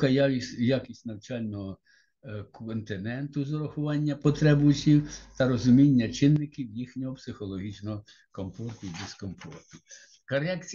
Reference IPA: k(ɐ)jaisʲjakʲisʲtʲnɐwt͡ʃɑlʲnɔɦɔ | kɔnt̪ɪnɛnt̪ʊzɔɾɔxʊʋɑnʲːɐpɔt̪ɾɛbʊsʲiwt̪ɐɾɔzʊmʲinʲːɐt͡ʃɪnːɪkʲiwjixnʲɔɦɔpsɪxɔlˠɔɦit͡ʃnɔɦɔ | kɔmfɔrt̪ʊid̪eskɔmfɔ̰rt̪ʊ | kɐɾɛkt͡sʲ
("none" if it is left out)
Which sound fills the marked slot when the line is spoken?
ɐ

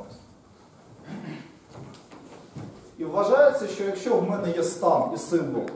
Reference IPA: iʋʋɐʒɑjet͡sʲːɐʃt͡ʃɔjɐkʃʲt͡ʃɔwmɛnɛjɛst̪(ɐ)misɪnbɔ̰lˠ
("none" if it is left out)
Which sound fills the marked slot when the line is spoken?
ɑ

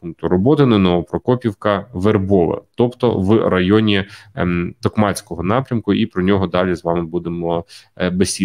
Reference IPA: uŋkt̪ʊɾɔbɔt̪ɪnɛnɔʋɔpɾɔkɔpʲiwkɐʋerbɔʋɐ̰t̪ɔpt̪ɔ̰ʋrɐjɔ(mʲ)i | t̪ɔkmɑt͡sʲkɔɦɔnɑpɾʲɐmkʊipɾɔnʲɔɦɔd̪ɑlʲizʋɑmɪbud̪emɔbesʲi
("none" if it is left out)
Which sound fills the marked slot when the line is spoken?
nʲ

